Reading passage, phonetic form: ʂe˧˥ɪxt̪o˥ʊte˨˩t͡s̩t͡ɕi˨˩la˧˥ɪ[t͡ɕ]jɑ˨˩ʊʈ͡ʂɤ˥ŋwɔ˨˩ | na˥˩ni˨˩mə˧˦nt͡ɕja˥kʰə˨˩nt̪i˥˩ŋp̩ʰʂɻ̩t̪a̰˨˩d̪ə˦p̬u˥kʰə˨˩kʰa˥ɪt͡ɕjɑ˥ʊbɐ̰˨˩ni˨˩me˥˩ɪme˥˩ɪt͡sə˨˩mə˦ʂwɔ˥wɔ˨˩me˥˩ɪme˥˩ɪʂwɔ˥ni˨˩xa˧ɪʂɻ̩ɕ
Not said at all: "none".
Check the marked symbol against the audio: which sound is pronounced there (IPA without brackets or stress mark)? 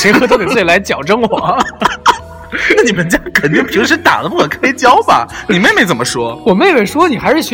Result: t͡ɕ